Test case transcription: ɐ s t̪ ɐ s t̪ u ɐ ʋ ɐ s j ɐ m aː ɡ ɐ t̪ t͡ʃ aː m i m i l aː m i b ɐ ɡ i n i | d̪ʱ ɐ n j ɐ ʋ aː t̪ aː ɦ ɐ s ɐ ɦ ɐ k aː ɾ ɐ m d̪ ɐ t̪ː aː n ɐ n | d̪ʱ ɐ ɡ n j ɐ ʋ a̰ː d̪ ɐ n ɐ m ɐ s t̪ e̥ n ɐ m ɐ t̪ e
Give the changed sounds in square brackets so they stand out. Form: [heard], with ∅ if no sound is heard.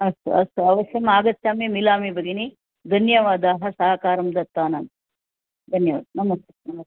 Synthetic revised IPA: ɐ s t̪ ɐ s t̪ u ɐ ʋ ɐ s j ɐ m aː ɡ ɐ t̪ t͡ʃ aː m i m i l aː m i b ɐ ɡ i n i | d̪ʱ ɐ n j ɐ ʋ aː [d̪] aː ɦ ɐ s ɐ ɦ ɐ k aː ɾ ɐ m d̪ ɐ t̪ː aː n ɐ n | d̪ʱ ɐ [∅] n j ɐ ʋ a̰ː d̪ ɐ n ɐ m ɐ s t̪ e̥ n ɐ m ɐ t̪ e